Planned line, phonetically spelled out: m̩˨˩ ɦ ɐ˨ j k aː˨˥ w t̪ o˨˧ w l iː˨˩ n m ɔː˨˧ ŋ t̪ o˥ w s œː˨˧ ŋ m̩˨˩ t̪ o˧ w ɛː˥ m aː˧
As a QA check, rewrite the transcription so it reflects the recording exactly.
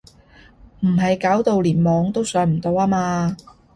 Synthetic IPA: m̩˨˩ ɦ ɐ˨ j k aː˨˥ w t̪ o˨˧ w l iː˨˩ n m ɔː˨˧ ŋ t̪ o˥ w s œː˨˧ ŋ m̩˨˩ t̪ o˧ w aː˥ m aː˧

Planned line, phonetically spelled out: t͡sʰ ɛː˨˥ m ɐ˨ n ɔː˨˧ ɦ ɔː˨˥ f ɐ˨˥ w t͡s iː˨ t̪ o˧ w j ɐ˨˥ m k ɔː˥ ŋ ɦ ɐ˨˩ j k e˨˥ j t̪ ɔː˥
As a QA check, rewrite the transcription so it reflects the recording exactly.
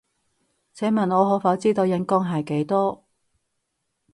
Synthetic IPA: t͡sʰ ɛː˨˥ m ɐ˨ n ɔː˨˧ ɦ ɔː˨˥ f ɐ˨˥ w t͡s iː˥ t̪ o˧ w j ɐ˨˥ n k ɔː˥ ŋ ɦ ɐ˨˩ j k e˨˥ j t̪ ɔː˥

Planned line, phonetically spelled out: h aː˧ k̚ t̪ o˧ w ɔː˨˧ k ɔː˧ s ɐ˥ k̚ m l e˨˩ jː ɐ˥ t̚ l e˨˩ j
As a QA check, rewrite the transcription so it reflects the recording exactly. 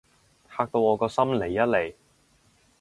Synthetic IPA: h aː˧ k̚ t̪ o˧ w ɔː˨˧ k ɔː˧ s ɐ˥ m l e˨˩ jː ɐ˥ t̚ l e˨˩ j

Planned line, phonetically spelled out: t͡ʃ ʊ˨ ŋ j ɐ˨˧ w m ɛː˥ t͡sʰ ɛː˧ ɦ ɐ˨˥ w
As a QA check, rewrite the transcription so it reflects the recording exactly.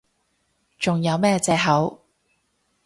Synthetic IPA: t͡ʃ ʊ˨ ŋ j ɐ˨˧ w m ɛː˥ t͡s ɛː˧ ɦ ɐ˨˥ w

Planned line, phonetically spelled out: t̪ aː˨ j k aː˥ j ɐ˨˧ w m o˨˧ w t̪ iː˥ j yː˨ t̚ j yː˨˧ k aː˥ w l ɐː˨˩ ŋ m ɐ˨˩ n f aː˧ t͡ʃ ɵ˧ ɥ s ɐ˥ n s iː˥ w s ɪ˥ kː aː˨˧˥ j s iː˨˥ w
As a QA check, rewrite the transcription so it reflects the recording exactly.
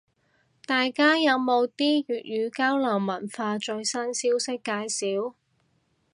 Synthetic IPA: t̪ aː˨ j k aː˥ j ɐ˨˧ w m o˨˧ w t̪ iː˥ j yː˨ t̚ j yː˨˧ k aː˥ w l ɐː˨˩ ŋ m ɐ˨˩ n f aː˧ t͡ʃ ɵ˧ ɥ s ɐ˥ n s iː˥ w s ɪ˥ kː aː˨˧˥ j s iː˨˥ w

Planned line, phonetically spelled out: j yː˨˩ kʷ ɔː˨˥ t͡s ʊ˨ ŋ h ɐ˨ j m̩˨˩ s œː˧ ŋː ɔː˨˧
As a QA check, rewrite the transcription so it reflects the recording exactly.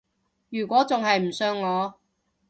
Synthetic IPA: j yː˨˩ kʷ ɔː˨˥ t͡s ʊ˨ ŋ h ɐ˨ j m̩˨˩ s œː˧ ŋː ɔː˨˧

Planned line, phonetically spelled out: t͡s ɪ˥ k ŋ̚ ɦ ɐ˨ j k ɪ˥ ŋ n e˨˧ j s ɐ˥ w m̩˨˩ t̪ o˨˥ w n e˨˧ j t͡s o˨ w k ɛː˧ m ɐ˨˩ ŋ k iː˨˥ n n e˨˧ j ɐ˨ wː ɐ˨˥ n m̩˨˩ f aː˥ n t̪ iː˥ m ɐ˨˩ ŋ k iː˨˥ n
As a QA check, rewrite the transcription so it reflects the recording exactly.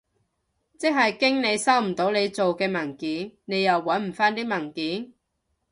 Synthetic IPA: t͡s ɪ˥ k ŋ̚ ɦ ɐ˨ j k ɪ˥ ŋ n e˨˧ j s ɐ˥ w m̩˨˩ t̪ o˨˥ w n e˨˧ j t͡s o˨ w k ɛː˧ m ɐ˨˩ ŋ k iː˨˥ n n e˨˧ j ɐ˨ wː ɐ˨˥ n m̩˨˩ f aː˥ n t̪ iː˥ m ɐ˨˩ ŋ k iː˨˥ n

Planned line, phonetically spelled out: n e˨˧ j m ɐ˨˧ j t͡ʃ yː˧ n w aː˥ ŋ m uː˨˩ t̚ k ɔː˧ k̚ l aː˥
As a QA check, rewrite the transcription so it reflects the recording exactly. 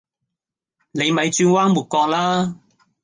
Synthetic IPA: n e˨˧ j m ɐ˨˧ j t͡ʃ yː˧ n w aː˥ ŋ m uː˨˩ t̚ k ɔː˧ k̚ l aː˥

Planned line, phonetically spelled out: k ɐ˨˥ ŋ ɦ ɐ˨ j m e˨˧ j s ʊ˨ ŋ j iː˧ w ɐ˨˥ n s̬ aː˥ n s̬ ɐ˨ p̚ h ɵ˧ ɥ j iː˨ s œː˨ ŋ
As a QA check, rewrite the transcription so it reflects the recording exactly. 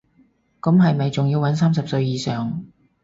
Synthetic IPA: k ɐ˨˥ m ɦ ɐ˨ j m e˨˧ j t͡s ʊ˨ ŋ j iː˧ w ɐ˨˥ n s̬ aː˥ m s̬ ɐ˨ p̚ s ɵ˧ ɥ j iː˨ s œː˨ ŋ

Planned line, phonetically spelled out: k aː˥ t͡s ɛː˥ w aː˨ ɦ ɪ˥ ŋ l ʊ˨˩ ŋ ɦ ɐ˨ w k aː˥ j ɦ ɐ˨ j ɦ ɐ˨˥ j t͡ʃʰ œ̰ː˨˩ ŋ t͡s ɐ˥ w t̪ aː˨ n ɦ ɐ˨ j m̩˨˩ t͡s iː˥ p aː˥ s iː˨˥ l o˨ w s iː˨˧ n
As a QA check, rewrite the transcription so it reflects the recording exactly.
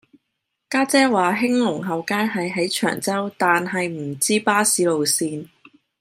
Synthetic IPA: k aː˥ t͡s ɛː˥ w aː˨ ɦ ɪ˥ ŋ l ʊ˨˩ ŋ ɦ ɐ˨ w k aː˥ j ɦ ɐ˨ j ɦ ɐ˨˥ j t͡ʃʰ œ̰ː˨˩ ŋ t͡s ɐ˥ w t̪ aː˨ n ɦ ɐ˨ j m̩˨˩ t͡s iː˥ p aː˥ s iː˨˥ l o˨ w s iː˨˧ n

